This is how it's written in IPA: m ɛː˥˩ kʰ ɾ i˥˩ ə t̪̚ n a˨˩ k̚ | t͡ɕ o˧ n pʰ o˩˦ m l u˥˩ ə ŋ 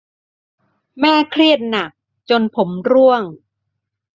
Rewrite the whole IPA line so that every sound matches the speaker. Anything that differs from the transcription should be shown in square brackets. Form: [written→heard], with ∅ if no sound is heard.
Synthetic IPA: m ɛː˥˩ kʰ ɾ i˥˩ ə t̪̚ n a˨˩ k̚ | t͡ɕ o˧ n pʰ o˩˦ m [l→ɾ] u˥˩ ə ŋ